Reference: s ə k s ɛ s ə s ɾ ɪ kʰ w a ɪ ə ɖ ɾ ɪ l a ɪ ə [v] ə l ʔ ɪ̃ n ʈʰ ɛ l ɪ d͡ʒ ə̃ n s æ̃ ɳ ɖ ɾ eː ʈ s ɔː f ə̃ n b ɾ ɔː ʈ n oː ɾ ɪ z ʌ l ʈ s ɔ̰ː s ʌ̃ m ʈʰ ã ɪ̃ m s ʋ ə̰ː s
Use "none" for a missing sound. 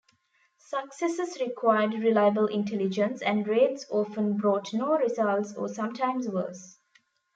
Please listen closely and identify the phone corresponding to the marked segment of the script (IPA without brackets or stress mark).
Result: b